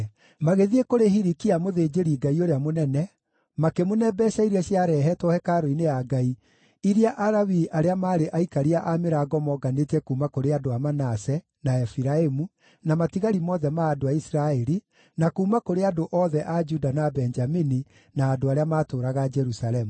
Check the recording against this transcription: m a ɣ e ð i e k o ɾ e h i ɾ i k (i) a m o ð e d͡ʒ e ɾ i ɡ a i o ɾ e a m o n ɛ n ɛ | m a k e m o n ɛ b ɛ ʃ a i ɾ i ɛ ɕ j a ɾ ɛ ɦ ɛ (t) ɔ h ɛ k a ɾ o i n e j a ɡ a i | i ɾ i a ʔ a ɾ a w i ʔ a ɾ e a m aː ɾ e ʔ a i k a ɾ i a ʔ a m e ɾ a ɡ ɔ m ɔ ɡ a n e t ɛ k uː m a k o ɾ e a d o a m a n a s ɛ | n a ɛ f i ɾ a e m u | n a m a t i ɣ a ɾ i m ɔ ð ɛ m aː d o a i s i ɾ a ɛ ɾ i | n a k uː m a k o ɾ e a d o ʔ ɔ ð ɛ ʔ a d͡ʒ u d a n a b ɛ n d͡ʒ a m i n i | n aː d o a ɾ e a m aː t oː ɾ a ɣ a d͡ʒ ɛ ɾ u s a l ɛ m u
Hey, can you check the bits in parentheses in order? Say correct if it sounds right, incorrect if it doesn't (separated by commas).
correct, correct